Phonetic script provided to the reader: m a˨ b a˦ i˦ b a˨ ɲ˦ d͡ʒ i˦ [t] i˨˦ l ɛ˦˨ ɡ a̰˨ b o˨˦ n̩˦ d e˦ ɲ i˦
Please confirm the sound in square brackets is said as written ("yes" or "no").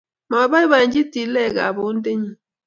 yes